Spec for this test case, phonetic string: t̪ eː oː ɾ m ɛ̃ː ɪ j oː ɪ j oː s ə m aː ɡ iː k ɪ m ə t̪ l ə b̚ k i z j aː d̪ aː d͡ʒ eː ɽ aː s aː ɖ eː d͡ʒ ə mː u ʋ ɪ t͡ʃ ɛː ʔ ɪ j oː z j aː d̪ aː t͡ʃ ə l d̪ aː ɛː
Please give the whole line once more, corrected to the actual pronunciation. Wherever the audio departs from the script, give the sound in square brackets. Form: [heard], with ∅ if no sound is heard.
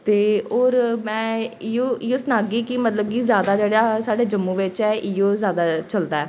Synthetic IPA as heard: t̪ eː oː ɾ m ɛ̃ː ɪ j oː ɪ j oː s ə [n] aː ɡ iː k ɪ m ə t̪ l ə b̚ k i z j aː d̪ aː d͡ʒ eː ɽ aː s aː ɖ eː d͡ʒ ə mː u ʋ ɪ t͡ʃ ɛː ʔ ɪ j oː z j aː d̪ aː t͡ʃ ə l d̪ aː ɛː

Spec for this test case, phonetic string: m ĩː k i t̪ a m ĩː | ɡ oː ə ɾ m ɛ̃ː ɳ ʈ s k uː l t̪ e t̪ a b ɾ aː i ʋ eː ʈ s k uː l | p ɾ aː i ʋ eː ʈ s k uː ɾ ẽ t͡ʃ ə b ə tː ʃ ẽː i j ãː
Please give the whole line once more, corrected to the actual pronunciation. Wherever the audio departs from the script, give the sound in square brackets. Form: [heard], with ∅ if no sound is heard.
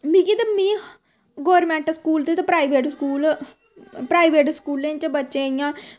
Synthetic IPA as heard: m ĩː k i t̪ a m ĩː | ɡ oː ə ɾ m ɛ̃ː ɳ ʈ s k uː l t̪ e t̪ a [p] ɾ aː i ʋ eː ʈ s k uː l | p ɾ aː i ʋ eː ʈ s k uː [l] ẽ t͡ʃ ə b ə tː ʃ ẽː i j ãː

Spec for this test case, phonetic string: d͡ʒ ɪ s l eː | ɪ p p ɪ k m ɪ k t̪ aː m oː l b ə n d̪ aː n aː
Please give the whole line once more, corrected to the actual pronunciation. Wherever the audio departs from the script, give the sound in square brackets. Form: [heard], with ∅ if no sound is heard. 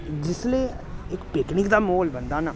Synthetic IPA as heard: d͡ʒ ɪ s l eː | ɪ [k] p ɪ k [n] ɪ k [d̪] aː m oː l b ə n d̪ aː n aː

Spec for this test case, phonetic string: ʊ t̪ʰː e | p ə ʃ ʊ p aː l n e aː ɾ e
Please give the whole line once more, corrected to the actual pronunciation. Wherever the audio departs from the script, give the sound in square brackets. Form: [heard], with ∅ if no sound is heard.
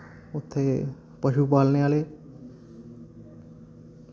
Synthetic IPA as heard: ʊ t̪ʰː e | p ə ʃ [u] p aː l n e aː [l] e

